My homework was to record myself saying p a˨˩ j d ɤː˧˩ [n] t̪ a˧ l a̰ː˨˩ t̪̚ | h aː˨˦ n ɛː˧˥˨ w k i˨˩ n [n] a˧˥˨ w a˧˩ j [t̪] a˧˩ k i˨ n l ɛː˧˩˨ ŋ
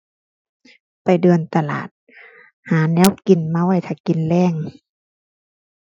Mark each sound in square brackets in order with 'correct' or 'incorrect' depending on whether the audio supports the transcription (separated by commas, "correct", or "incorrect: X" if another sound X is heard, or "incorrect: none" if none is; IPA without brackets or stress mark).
correct, incorrect: m, incorrect: t̪ʰ